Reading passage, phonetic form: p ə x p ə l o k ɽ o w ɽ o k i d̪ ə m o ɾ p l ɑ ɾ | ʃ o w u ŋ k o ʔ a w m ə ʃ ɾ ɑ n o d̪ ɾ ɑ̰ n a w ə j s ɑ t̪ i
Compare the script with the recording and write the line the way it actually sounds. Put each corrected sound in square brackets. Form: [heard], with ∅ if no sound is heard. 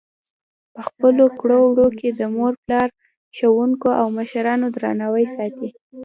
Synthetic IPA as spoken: p ə x p ə l o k ɽ o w ɽ o k [e] d̪ ə m o ɾ p l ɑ ɾ | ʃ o w u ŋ k o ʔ a w m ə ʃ ɾ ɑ n o d̪ ɾ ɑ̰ n a w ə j s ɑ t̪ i